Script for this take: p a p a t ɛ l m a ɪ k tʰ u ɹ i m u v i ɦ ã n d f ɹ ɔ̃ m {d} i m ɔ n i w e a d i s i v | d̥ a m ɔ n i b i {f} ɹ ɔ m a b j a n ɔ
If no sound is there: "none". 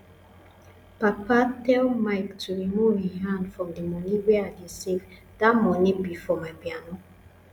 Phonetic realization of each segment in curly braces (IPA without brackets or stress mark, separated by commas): d, f